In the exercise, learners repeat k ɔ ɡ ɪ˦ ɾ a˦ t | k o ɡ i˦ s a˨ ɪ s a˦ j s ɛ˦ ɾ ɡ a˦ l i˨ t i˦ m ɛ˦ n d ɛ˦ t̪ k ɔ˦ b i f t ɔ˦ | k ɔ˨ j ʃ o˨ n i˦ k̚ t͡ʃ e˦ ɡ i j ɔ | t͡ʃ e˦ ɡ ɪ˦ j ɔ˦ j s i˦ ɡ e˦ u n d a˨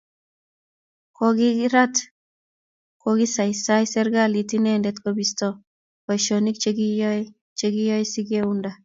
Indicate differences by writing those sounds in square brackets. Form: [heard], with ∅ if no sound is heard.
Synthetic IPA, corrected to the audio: k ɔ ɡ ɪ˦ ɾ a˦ t | k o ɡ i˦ s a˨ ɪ s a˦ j s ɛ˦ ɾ ɡ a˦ l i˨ t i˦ [n] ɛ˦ n d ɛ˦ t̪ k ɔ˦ b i [s] t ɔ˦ | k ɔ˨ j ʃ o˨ n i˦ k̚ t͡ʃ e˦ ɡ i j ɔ | t͡ʃ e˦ ɡ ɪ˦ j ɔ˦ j s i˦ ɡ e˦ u n d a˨